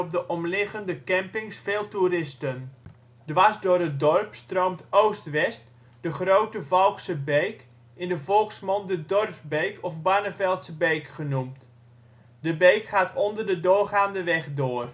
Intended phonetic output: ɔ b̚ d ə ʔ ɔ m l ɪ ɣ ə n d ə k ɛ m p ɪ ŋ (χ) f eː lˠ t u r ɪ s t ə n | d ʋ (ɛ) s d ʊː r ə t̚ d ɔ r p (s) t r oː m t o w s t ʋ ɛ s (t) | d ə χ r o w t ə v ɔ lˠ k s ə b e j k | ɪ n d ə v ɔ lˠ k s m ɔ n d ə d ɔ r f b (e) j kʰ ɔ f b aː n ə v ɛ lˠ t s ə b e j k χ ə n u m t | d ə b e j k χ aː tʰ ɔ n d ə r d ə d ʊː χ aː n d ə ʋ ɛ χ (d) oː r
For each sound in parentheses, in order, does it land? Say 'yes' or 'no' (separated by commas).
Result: no, no, yes, yes, yes, yes